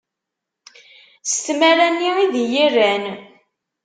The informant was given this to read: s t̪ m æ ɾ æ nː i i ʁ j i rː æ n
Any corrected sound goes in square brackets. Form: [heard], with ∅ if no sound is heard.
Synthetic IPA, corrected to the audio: s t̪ m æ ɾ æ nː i i [ð] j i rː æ n